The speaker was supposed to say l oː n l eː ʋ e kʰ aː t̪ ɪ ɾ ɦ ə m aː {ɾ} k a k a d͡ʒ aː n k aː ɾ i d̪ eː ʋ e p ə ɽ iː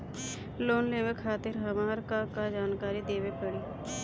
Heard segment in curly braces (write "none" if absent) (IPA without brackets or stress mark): ɾ